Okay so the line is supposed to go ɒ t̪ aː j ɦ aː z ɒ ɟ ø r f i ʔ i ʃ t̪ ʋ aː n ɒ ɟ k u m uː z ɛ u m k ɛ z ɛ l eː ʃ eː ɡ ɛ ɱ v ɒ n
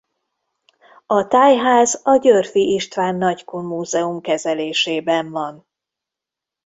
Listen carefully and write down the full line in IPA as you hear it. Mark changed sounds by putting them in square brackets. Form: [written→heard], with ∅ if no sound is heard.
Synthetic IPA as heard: ɒ t̪ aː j ɦ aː z ɒ ɟ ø r f i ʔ i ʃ t̪ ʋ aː [n→nː] ɒ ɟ k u m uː z ɛ u m k ɛ z ɛ l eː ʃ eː [ɡ→b] ɛ ɱ v ɒ n